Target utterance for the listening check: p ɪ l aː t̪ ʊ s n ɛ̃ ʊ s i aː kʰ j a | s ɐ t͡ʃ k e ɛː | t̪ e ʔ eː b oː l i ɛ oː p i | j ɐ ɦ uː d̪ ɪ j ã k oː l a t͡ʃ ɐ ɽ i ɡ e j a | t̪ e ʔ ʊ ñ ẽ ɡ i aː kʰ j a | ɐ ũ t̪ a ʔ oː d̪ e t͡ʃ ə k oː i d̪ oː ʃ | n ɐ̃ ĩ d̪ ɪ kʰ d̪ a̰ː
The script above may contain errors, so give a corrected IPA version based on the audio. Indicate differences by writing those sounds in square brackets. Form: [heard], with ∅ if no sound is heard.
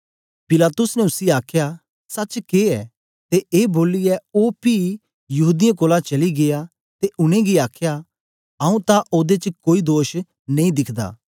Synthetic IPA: p ɪ l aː t̪ ʊ s n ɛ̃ ʊ s i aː kʰ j a | s ɐ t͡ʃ k e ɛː | t̪ e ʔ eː b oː l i ɛ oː p i | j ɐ ɦ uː d̪ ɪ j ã k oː l a t͡ʃ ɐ [l] i ɡ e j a | t̪ e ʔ ʊ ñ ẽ ɡ i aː kʰ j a | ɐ ũ t̪ a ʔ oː d̪ e t͡ʃ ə k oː i d̪ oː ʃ | n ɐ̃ ĩ d̪ ɪ kʰ d̪ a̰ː